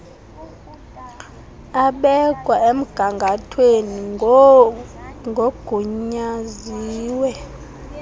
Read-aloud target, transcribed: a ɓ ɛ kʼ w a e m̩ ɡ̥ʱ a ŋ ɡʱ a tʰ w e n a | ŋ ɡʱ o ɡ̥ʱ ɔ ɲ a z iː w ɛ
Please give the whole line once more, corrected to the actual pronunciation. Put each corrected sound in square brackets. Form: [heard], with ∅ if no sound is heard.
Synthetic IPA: a ɓ ɛ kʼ w a e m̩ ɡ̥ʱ a ŋ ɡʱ a tʰ w e n [i] | ŋ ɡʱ o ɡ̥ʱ [u] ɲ a z iː w ɛ